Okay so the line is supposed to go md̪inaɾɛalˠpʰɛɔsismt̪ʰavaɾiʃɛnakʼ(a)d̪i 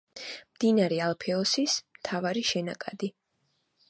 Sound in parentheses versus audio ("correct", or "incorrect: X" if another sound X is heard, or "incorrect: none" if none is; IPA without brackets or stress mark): correct